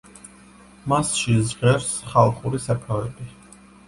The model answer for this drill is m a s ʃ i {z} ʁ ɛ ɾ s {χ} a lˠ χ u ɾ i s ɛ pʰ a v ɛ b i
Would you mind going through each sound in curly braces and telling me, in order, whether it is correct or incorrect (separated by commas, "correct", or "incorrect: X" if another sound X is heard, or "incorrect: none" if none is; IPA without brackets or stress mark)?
correct, correct